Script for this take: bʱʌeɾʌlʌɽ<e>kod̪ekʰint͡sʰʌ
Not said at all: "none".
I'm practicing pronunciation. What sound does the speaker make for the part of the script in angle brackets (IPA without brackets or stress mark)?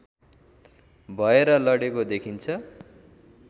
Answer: e